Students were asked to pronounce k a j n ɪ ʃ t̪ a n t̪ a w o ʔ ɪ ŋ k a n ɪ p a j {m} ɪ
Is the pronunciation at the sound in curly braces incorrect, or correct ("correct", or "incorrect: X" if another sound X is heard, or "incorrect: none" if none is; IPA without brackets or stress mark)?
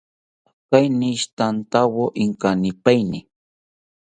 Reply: incorrect: n